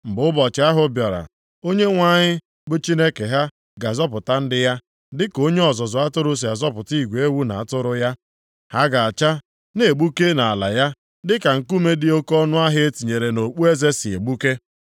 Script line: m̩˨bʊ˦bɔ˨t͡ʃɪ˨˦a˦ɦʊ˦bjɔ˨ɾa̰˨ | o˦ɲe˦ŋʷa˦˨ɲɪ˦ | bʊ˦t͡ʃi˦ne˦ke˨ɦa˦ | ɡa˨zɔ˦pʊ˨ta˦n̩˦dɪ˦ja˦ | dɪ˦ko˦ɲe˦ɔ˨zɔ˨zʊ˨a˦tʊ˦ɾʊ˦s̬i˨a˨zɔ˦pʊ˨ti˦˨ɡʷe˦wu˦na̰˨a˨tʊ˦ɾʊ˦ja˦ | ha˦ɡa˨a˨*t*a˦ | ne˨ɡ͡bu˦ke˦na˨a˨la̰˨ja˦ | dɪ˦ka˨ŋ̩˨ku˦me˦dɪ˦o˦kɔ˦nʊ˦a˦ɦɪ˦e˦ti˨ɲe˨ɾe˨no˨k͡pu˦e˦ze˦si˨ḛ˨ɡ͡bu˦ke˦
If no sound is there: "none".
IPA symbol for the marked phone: t͡ʃ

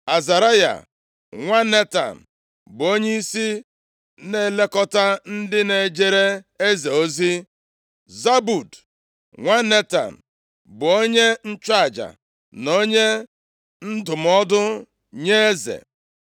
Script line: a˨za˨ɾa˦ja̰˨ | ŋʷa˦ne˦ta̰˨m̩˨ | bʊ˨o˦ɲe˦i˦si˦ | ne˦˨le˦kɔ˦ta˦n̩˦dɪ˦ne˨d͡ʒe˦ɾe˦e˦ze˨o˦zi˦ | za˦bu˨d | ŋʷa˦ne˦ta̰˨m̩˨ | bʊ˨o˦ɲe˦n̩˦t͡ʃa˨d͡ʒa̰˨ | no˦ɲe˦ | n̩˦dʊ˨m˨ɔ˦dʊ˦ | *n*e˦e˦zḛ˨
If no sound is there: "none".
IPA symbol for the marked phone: ɲ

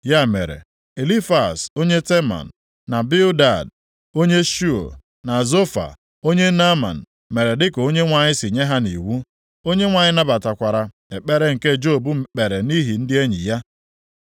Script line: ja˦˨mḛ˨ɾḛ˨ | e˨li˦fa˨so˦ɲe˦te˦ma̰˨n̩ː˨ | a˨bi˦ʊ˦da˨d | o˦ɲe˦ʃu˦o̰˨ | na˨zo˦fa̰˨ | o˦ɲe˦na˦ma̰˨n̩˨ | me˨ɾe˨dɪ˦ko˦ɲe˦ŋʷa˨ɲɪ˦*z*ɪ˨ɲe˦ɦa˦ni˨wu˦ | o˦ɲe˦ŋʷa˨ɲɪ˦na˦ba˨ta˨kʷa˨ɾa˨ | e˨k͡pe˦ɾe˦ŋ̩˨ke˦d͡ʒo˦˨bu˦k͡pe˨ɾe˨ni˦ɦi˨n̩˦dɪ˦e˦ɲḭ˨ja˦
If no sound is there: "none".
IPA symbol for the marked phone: s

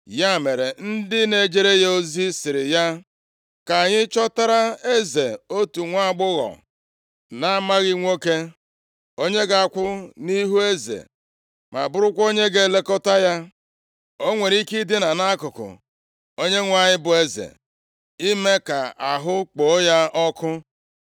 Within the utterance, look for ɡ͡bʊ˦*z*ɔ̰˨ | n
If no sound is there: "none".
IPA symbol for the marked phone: ɣ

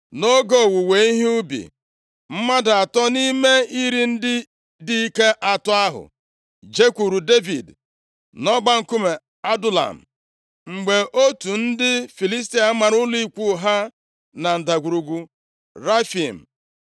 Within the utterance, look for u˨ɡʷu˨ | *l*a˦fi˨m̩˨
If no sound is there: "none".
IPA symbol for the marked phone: ɾ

